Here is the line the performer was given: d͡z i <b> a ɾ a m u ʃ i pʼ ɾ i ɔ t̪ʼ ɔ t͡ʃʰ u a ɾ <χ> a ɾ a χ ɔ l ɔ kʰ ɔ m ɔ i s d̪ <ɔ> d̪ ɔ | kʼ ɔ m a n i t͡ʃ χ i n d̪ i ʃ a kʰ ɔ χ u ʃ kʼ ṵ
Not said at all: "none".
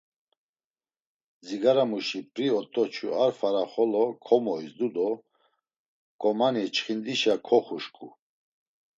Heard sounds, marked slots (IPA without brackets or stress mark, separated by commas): ɡ, f, u